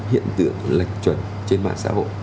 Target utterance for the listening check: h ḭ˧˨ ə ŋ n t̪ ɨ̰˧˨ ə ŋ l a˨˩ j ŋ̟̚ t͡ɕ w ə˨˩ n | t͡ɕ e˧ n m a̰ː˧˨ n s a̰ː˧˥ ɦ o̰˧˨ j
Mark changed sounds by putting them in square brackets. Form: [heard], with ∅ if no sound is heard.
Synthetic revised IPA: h ḭ˧˨ ə [∅] n t̪ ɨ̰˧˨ ə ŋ l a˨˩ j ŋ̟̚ t͡ɕ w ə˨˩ n | t͡ɕ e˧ n m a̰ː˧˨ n s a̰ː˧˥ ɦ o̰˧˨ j